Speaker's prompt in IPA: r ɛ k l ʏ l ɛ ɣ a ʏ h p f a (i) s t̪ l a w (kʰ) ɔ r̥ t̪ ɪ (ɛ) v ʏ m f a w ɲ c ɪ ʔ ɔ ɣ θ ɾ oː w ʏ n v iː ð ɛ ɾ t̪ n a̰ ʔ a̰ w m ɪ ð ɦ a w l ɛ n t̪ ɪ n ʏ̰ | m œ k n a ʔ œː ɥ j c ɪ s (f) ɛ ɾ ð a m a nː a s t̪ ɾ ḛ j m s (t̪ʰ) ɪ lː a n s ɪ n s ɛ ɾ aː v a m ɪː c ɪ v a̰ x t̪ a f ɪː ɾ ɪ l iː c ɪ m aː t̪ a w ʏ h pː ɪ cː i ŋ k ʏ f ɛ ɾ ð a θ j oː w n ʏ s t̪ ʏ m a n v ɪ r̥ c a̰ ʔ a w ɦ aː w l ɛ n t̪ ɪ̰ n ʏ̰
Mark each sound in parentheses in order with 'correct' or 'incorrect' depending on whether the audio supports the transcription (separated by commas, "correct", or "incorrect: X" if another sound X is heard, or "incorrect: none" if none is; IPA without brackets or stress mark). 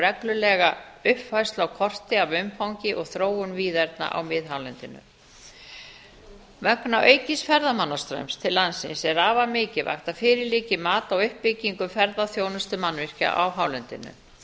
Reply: incorrect: j, correct, incorrect: a, correct, correct